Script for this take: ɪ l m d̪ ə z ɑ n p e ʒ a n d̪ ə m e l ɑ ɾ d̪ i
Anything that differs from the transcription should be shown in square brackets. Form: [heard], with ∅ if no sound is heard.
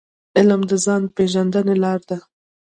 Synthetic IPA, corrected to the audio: ɪ l m d̪ ə z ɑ n p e ʒ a n d̪ ə [n] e l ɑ ɾ d̪ [a]